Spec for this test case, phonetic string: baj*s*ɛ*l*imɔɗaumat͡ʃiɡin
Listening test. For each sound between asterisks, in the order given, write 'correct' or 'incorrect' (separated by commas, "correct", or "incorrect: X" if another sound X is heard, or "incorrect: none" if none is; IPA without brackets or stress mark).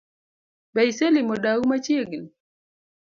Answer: correct, correct